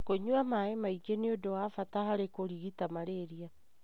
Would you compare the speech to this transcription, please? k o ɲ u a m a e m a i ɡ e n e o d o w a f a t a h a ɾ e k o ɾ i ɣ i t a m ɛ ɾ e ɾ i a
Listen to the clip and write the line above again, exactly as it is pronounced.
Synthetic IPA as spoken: k o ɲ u a m a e m a i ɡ e n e o d o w a f a t a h a ɾ e k o ɾ i ɣ i t a m a ɾ e ɾ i a